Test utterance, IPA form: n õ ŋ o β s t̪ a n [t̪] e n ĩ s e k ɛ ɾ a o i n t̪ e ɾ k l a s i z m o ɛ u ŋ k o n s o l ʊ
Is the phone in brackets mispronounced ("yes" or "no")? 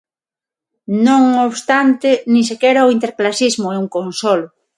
no